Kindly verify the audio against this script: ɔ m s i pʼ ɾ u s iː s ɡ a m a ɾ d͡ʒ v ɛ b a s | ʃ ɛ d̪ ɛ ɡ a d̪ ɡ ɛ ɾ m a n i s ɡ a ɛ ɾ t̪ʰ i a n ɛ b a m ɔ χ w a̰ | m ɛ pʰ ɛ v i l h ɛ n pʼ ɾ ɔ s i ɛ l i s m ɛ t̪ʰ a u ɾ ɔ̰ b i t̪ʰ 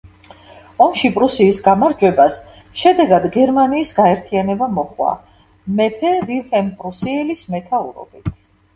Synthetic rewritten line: ɔ m ʃ i pʼ ɾ u s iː s ɡ a m a ɾ d͡ʒ w ɛ b a s | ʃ ɛ d̪ ɛ ɡ a d̪ ɡ ɛ ɾ m a n iː s ɡ a ɛ ɾ t̪ʰ i a n ɛ b a m ɔ χ w a̰ | m ɛ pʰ ɛ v i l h ɛ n pʼ ɾ u s i ɛ l i s m ɛ t̪ʰ a u ɾ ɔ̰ b i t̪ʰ